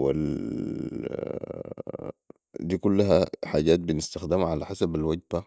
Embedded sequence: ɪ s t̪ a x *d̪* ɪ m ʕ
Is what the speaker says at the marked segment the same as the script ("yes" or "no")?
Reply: yes